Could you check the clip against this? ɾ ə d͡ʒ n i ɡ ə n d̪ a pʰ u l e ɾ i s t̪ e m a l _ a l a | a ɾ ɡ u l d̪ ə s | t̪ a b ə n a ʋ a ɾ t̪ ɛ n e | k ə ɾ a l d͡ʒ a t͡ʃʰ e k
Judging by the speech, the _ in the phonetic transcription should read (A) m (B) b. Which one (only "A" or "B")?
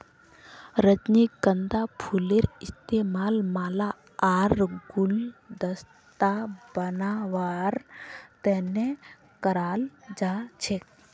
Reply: A